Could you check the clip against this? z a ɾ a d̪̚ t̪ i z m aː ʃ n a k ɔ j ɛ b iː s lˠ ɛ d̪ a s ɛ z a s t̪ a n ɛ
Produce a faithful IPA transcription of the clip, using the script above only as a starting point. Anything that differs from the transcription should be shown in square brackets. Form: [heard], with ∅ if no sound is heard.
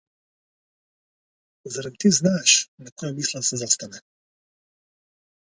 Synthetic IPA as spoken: z a ɾ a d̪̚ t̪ i z [n] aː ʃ n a k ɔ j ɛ [m] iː s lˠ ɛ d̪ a s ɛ z a s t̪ a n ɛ

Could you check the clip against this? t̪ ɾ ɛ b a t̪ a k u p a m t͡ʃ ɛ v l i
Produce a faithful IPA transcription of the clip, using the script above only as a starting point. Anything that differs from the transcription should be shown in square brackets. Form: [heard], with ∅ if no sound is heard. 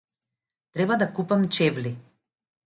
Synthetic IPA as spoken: t̪ ɾ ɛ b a [d̪] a k u p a m t͡ʃ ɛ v l i

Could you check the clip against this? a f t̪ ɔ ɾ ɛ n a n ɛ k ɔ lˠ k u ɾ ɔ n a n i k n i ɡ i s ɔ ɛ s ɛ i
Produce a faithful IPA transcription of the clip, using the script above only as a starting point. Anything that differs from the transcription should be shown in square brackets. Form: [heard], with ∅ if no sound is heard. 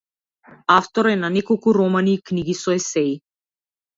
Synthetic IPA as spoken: a f t̪ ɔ ɾ ɛ n a n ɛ k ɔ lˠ k u ɾ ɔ [m] a n i k n i ɡ i s ɔ ɛ s ɛ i

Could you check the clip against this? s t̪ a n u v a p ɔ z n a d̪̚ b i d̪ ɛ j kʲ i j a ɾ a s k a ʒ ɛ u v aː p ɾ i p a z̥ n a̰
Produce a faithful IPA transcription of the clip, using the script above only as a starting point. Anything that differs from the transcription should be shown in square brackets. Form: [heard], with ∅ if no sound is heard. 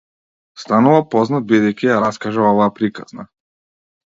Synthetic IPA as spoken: s t̪ a n u v a p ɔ z n a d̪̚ b i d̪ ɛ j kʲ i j a ɾ a s k a ʒ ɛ [ɔ] v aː p ɾ i [k] a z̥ n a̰

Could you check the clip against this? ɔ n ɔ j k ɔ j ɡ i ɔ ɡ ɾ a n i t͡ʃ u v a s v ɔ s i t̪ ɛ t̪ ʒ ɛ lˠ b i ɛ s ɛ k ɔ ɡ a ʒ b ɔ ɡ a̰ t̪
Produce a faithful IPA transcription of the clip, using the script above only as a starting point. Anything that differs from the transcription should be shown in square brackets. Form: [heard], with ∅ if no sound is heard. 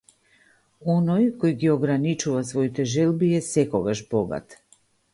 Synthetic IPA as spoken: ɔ n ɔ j k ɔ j ɡ i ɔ ɡ ɾ a n i t͡ʃ u v a s v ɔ [∅] i t̪ ɛ [∅] ʒ ɛ lˠ b i ɛ s ɛ k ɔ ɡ a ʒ b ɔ ɡ a̰ t̪

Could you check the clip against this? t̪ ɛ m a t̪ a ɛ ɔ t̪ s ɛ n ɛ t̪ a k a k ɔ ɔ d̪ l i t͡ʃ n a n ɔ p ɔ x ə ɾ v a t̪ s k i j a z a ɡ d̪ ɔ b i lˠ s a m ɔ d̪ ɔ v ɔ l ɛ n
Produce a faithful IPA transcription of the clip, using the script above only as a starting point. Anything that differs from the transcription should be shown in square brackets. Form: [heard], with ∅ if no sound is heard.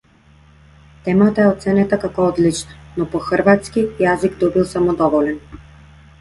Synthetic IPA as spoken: t̪ ɛ m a t̪ a ɛ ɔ t̪ s ɛ n ɛ t̪ a k a k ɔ ɔ d̪ l i t͡ʃ n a n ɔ p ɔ x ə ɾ v a t̪ s k i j a z [i] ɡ d̪ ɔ b i lˠ s a m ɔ d̪ ɔ v ɔ l ɛ n

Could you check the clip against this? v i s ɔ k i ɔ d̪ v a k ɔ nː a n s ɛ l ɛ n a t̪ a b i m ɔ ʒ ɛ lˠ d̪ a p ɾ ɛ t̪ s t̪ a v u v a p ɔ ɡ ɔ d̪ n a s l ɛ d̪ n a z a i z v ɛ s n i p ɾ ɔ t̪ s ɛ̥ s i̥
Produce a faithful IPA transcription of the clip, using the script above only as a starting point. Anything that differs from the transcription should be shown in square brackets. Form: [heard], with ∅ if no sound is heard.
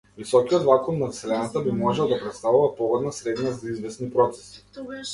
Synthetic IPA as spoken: v i s ɔ k i ɔ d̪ v a k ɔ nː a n s ɛ l ɛ n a t̪ a b i m ɔ ʒ ɛ lˠ d̪ a p ɾ ɛ t̪ s t̪ a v u v a p ɔ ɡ ɔ d̪ n a s [ɾ] ɛ d̪ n a z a i z v ɛ s n i p ɾ ɔ t̪ s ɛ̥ s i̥

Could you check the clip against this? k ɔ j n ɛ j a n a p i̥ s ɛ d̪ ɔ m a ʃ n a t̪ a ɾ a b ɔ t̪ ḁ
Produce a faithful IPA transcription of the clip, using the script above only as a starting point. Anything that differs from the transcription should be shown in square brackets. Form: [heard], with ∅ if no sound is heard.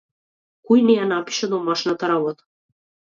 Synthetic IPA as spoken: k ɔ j n ɛ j a n a p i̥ [ʃ] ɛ d̪ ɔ m a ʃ n a t̪ a ɾ a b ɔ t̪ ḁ

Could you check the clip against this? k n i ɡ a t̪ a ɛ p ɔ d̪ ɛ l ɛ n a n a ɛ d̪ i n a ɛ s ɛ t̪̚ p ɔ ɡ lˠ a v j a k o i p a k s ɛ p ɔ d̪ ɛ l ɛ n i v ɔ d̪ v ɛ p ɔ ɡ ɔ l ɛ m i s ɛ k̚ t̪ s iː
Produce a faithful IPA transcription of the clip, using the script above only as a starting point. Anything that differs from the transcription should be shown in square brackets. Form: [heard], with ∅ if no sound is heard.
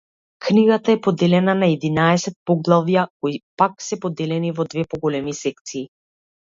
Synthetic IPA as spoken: k n i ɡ a t̪ a ɛ p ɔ d̪ ɛ l ɛ n a n a ɛ d̪ i n a ɛ s ɛ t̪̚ p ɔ ɡ lˠ a v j a k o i p a k s ɛ p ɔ d̪ ɛ l ɛ n i v ɔ d̪ v ɛ p ɔ ɡ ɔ l ɛ m i s ɛ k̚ t̪ s iː

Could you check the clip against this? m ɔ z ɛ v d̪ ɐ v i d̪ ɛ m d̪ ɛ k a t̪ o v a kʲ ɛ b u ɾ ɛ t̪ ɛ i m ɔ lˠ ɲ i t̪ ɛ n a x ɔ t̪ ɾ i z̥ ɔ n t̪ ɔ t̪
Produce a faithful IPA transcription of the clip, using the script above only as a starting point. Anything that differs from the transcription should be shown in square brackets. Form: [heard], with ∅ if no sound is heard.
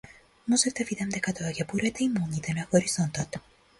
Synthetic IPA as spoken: m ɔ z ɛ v d̪ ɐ v i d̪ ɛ m d̪ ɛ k a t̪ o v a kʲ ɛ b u ɾ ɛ t̪ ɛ i m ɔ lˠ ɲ i t̪ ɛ n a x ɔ [∅] ɾ i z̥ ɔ n t̪ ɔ t̪

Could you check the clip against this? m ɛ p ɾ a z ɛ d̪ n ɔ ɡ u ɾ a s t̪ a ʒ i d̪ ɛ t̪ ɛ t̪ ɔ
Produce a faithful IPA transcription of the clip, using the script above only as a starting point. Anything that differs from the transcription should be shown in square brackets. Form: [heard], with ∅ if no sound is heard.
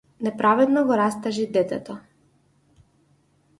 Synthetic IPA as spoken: [n] ɛ p ɾ a [v] ɛ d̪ n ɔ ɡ [ɔ] ɾ a s t̪ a ʒ i d̪ ɛ t̪ ɛ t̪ ɔ

